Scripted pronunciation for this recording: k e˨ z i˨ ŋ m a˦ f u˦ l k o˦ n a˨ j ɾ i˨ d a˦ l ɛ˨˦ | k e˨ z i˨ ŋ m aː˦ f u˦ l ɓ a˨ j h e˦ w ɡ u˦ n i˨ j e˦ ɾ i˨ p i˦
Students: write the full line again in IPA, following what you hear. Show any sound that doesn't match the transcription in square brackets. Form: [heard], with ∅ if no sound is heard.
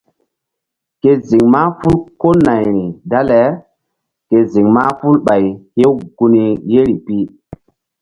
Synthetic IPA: k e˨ z i˨ ŋ m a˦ f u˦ l k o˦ n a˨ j ɾ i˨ d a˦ l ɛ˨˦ | k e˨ z i˨ ŋ m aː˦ f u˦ l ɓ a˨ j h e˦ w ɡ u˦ n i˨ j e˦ ɾ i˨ p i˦